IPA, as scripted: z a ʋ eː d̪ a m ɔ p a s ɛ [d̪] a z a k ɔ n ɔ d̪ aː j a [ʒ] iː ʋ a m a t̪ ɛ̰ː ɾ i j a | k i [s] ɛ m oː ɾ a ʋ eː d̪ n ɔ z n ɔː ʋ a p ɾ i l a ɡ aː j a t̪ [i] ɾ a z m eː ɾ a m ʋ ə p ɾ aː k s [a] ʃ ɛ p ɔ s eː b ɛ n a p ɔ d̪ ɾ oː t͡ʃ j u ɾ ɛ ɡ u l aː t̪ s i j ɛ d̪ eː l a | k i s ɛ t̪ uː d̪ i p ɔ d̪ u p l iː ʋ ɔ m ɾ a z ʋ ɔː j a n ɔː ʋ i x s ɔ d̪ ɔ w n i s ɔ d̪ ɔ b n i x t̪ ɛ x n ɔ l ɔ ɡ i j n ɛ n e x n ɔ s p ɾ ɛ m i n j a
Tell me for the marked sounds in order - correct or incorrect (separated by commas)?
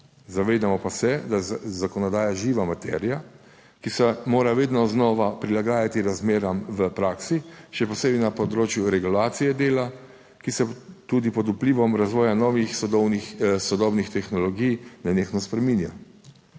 correct, correct, correct, correct, incorrect